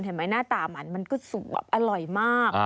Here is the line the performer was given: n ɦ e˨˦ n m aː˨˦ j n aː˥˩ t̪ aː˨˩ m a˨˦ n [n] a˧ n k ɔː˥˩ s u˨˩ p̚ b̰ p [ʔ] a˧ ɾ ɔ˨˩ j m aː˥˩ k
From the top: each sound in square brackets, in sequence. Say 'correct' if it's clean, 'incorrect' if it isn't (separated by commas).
incorrect, correct